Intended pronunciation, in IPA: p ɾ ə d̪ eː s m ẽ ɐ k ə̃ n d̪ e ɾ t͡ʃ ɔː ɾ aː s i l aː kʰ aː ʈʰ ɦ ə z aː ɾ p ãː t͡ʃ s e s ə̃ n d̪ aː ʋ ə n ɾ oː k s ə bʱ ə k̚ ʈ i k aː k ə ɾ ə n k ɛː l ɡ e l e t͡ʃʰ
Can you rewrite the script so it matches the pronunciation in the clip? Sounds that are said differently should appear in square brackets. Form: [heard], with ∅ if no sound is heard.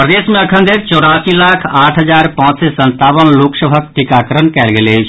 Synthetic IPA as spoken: p ɾ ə d̪ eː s m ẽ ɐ [kʰ] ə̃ n d̪ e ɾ t͡ʃ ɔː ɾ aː s i l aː kʰ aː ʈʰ ɦ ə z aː ɾ p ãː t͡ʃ s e s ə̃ n [t̪] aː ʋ ə n [l] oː k s ə bʱ ə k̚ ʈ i k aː k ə ɾ ə n k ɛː l ɡ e l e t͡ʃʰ